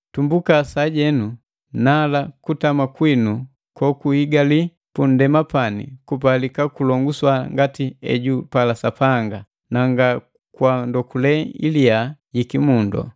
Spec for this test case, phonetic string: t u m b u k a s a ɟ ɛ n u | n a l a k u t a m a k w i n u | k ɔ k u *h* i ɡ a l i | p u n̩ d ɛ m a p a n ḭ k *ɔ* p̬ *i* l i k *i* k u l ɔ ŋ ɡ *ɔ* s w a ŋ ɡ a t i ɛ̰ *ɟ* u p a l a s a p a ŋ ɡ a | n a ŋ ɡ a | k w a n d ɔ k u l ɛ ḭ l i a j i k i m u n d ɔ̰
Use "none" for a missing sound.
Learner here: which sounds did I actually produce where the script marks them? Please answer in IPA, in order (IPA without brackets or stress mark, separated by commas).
h, u, a, a, u, ɟ